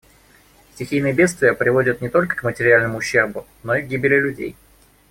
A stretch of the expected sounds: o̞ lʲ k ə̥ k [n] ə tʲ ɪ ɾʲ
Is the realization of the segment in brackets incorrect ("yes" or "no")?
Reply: yes